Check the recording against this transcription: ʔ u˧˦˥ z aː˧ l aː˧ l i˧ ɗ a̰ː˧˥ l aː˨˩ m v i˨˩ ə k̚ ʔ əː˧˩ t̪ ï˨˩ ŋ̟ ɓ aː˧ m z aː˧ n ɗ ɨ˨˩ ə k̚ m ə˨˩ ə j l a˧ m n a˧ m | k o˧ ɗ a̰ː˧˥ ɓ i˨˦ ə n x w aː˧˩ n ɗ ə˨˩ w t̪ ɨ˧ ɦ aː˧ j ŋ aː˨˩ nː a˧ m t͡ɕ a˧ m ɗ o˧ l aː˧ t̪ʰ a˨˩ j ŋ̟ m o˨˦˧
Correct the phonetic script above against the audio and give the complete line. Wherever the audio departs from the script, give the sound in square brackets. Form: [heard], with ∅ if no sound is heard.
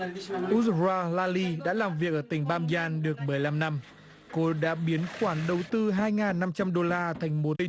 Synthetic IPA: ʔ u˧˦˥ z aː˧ l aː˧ l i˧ ɗ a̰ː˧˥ l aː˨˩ m v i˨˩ ə k̚ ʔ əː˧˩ t̪ ï˨˩ ŋ̟ ɓ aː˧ m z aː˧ n ɗ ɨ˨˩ ə k̚ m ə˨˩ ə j l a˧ m n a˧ m | k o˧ ɗ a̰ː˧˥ ɓ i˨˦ ə n x w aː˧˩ n ɗ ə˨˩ w t̪ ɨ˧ ɦ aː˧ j ŋ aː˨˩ nː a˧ m t͡ɕ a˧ m ɗ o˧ l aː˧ t̪ʰ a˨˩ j ŋ̟ m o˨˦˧